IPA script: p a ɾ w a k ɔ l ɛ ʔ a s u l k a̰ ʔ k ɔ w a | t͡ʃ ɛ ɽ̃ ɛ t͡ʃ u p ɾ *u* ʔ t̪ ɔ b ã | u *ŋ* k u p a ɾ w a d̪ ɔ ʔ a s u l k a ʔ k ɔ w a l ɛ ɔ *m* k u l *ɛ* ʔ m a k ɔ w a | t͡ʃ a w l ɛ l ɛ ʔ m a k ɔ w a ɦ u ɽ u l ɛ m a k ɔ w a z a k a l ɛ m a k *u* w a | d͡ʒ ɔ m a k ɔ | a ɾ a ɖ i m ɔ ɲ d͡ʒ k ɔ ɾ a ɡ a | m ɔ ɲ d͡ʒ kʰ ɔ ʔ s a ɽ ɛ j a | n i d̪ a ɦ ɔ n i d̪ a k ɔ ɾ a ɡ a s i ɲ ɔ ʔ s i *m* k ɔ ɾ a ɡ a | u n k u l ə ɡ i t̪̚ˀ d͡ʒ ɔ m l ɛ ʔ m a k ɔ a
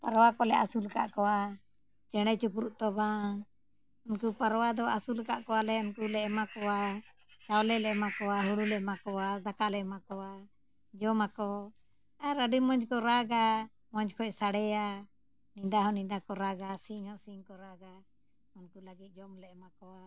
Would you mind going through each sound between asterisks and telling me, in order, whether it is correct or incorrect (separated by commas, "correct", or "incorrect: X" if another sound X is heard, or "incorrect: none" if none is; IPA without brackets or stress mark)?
correct, incorrect: n, incorrect: n, correct, incorrect: ɔ, incorrect: ŋ